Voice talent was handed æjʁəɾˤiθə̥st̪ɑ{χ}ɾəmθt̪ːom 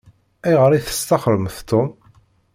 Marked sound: correct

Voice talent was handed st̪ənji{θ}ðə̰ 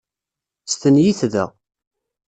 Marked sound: correct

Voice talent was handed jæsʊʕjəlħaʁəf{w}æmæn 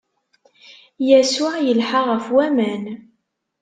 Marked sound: correct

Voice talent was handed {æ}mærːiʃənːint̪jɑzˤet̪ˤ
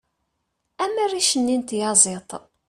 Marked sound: correct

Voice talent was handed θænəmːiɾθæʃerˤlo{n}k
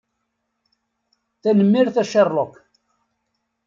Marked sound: incorrect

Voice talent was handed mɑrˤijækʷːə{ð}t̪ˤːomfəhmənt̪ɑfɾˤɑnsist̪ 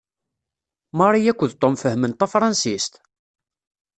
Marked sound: correct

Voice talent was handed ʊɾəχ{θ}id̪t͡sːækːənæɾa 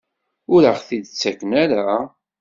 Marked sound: correct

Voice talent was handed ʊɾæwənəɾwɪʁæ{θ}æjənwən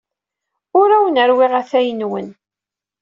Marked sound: correct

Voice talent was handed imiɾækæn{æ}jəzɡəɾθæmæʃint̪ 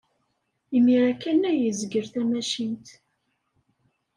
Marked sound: correct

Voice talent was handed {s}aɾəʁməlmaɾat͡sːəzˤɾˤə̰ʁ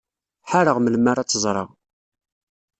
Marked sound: incorrect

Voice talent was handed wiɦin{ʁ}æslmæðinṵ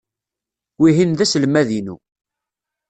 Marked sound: incorrect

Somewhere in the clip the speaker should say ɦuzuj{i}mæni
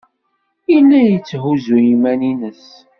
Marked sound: correct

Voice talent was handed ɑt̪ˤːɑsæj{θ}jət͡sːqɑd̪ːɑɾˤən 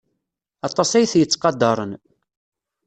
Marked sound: correct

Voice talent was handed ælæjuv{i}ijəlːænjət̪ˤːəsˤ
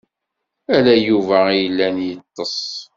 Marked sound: incorrect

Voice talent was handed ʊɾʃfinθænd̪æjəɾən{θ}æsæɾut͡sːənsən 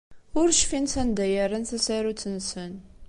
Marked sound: correct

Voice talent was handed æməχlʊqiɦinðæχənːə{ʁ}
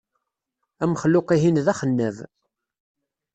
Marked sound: incorrect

